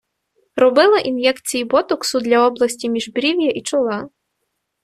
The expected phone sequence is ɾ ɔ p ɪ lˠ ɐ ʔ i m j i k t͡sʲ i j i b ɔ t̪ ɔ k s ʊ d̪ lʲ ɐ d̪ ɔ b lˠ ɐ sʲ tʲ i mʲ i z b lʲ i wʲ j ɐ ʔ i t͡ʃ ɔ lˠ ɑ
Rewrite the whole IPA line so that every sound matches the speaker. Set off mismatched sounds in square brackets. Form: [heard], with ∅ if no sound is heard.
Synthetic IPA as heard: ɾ ɔ [b] ɪ lˠ ɐ ʔ i [n] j [ɛ] k t͡sʲ i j i b ɔ t̪ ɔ k s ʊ d̪ lʲ ɐ [∅] ɔ b lˠ ɐ sʲ tʲ i mʲ i [ʒ] b [ɾʲ] i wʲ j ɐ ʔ i t͡ʃ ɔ lˠ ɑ